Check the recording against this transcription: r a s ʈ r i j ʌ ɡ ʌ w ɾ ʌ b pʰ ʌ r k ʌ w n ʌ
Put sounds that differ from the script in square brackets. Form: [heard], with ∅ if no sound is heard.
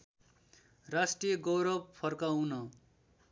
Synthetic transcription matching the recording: r a s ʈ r i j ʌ ɡ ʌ w ɾ ʌ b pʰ ʌ r k [a] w n ʌ